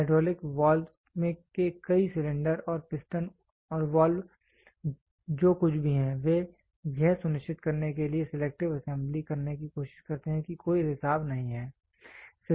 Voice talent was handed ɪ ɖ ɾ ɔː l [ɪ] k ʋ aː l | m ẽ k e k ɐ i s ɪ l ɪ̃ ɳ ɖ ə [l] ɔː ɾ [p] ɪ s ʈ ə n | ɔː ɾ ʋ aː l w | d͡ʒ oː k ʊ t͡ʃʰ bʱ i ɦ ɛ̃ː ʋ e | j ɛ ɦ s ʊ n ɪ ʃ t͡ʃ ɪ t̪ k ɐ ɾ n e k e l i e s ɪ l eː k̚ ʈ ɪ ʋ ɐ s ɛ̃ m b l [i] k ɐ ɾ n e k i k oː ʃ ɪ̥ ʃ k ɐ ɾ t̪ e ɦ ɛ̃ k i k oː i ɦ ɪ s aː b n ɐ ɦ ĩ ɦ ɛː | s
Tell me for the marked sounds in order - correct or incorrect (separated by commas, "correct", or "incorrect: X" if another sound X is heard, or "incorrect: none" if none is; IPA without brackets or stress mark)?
correct, incorrect: ɾ, correct, correct